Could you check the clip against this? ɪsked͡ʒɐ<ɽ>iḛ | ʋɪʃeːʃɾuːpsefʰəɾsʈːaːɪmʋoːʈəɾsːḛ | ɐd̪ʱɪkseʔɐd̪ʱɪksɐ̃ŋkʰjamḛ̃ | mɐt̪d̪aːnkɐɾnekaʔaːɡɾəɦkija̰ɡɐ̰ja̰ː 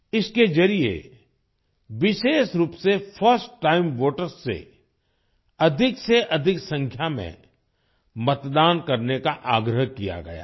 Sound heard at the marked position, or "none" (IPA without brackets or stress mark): ɾ